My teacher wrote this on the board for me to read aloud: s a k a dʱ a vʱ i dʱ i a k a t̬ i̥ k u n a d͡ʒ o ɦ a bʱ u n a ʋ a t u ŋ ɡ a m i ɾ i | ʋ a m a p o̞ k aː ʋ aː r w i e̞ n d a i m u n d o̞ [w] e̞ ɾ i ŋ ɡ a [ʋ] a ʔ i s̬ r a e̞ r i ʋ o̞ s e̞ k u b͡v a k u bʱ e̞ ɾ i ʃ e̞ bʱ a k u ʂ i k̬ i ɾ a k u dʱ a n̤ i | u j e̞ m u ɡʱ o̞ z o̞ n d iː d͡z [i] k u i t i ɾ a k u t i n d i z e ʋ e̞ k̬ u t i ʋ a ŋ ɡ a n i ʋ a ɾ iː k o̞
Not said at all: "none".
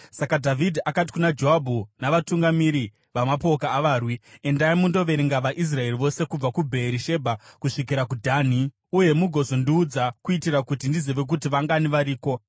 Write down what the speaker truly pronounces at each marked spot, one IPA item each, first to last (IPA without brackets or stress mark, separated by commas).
ʋ, ʋ, a